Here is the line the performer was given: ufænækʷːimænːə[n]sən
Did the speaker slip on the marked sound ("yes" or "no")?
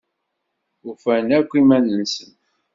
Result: no